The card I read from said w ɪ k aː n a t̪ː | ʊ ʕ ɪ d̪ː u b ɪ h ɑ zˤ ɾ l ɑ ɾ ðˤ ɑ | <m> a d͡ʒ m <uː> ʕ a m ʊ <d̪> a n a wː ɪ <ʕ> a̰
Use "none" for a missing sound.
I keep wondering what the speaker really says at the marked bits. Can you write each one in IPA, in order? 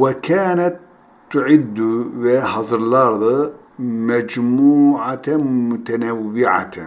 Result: m, uː, t̪, ʕ

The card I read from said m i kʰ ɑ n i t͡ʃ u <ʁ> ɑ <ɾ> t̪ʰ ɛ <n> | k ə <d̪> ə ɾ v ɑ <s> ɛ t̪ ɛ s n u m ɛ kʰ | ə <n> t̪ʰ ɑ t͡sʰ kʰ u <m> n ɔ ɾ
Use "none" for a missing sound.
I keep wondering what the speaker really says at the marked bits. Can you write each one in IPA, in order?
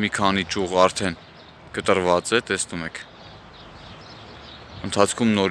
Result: ʁ, ɾ, n, t̪, t͡s, n, m

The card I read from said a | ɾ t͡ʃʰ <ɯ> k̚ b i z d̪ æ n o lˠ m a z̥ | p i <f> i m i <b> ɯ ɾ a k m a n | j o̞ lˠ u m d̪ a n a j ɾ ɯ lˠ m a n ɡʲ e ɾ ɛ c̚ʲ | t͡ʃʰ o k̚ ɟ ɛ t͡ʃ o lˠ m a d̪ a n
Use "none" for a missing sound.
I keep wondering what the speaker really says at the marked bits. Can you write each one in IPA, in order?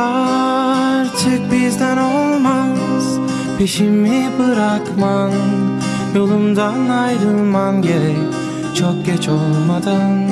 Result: ɯ, ʃ, b

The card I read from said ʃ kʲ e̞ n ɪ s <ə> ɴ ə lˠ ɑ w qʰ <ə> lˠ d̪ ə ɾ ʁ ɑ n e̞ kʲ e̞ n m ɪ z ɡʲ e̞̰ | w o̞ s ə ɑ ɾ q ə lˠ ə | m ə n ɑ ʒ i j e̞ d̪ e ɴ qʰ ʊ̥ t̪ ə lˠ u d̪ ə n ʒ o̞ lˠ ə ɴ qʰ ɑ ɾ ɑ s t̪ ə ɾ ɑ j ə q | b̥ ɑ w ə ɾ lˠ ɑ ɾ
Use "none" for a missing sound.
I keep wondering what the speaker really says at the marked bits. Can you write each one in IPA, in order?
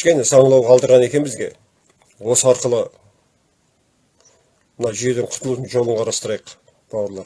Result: ɑ, ɑ

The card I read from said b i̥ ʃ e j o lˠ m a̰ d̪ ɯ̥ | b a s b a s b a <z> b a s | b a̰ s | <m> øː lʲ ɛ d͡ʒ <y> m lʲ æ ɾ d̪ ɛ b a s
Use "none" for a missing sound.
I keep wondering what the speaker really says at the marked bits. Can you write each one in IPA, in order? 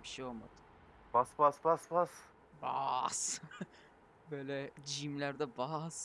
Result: s, b, i

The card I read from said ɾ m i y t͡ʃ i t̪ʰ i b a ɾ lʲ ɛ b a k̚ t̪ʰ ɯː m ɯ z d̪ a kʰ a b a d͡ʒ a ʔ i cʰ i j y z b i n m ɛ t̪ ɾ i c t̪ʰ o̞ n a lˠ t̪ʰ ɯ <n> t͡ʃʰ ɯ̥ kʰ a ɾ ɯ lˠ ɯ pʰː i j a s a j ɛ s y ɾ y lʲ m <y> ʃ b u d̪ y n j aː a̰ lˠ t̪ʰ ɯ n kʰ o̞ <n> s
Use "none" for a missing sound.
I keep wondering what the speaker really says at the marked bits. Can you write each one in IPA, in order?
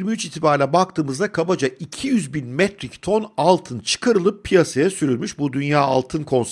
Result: n, y, n

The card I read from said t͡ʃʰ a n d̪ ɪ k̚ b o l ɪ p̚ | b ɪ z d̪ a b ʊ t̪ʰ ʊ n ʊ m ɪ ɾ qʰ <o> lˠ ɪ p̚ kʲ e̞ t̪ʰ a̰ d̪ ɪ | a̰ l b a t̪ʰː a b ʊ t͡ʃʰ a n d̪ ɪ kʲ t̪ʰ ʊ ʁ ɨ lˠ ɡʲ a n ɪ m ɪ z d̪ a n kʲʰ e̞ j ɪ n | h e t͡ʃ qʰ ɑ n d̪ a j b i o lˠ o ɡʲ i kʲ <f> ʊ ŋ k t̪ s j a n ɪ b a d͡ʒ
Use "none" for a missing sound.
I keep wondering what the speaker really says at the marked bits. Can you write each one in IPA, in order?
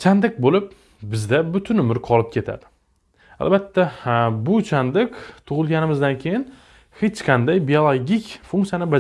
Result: ɒ, f

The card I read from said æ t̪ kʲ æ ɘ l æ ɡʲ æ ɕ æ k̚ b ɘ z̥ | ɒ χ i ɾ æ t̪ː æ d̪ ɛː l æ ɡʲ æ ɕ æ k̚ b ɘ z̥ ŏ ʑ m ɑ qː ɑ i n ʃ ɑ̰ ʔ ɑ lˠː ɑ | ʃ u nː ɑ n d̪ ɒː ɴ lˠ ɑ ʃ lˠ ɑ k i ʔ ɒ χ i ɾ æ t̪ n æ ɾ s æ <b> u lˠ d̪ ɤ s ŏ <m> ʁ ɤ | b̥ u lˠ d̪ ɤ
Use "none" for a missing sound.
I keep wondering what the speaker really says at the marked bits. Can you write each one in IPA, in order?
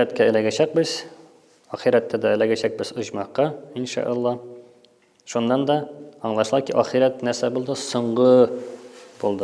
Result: b, ɴ

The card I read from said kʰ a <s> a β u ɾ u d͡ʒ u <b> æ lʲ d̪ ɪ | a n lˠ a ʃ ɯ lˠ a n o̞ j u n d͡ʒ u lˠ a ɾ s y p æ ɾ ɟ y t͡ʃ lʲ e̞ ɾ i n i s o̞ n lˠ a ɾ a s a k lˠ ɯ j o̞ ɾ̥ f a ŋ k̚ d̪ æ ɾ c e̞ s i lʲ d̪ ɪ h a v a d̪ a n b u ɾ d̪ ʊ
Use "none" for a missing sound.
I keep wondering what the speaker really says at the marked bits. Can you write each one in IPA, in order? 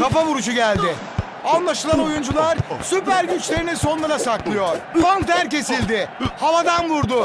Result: f, ɟ

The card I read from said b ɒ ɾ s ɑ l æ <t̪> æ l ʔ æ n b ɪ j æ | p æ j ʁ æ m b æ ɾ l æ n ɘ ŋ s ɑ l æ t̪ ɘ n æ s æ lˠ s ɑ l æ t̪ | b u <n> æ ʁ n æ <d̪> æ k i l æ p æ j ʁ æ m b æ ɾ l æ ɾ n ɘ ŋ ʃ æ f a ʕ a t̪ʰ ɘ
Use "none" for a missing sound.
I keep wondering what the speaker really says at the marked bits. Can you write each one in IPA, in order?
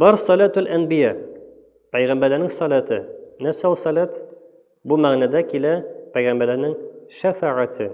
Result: t̪, m, d̪

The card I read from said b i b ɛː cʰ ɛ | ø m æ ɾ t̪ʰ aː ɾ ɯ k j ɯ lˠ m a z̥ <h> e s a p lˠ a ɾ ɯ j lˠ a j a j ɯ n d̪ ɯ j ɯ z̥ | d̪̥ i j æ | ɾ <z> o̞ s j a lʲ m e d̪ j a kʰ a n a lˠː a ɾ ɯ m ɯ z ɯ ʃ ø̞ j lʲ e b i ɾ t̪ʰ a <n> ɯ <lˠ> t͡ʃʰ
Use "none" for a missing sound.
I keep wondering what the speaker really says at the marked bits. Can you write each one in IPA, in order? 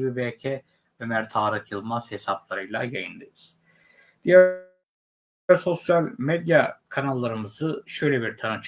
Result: h, s, n, none

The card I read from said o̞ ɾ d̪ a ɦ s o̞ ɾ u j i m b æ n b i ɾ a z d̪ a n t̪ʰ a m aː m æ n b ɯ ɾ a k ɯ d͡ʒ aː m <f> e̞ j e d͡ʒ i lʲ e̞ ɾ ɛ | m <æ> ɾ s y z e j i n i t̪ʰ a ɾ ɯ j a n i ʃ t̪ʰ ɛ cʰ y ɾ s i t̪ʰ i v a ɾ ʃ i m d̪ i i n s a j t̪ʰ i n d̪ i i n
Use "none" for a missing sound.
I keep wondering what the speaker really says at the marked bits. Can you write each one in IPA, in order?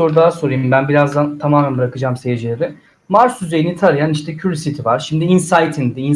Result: s, a

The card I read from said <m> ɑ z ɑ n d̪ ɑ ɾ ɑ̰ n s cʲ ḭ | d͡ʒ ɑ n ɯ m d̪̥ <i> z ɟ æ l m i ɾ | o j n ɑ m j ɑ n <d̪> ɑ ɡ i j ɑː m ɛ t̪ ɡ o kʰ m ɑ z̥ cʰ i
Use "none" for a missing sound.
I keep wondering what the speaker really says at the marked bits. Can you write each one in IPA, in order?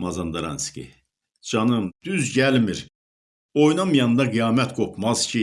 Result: m, y, d̪

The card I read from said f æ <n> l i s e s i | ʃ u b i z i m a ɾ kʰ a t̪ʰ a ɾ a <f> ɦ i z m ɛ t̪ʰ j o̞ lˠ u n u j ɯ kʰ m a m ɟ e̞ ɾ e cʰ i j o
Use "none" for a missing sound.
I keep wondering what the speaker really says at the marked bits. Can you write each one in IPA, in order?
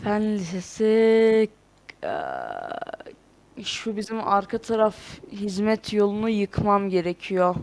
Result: n, f

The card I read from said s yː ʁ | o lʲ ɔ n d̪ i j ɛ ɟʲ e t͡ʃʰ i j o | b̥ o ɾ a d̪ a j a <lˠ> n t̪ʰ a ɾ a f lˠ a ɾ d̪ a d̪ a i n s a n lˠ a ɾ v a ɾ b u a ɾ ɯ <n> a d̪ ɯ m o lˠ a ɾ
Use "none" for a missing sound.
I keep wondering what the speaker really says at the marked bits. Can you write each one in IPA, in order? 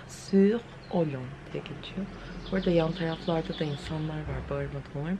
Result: none, m

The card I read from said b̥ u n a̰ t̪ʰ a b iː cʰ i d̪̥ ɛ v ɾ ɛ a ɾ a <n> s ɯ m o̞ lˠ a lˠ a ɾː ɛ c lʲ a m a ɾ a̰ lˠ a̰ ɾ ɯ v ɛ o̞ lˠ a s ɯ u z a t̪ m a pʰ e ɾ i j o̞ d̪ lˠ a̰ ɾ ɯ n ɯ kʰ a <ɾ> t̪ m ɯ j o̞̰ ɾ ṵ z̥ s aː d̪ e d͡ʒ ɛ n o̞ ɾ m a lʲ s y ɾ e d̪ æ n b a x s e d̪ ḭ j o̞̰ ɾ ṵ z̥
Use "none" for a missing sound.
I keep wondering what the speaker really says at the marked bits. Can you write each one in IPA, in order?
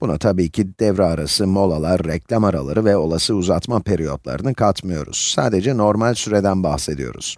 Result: none, none

